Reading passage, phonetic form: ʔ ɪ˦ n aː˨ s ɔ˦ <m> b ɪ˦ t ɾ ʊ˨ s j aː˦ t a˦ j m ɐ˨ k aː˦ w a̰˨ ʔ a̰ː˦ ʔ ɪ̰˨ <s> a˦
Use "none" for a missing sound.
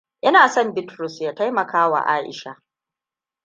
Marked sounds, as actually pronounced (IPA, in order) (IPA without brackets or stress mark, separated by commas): m, ʃ